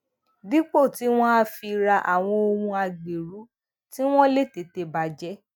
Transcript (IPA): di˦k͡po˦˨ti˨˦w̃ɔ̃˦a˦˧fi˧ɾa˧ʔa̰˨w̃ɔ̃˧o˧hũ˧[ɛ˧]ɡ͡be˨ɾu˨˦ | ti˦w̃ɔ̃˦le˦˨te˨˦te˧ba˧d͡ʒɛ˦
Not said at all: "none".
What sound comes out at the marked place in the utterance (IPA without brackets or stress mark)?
a˧